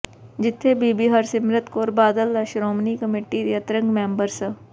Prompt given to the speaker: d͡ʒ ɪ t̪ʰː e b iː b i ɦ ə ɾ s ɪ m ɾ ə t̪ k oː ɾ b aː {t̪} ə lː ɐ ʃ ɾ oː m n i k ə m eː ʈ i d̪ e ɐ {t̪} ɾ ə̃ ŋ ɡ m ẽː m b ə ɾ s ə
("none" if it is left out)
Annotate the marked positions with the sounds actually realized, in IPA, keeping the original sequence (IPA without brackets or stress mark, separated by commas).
d̪, t̪